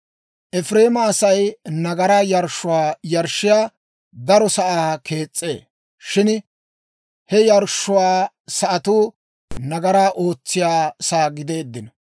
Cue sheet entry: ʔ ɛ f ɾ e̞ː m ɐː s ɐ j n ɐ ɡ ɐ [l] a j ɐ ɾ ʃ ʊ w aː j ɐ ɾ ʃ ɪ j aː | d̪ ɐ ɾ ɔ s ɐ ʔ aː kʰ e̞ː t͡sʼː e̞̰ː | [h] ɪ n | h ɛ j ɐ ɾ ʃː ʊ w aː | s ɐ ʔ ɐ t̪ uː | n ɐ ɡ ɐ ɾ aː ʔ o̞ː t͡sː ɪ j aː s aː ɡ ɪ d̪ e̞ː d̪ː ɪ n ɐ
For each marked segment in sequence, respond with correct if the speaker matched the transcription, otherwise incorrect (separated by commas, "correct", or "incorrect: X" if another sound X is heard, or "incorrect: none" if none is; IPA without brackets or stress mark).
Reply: incorrect: ɾ, incorrect: ʃ